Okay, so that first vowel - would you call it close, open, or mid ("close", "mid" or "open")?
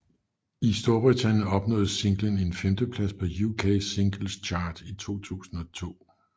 close